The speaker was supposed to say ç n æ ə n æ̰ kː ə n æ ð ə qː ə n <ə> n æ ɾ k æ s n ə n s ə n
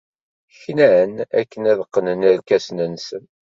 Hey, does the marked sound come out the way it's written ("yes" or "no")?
yes